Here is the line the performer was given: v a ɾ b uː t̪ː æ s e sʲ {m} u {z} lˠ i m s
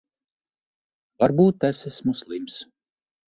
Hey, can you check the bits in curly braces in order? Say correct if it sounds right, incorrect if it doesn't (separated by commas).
correct, incorrect